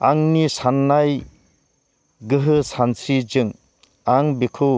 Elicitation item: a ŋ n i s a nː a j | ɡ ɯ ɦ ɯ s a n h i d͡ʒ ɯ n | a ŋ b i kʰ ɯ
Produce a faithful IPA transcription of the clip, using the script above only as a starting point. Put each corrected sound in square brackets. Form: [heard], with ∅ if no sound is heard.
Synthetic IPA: a ŋ n i s a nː a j | ɡ ɯ ɦ ɯ s a n [s] i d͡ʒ ɯ [ŋ] | a ŋ b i kʰ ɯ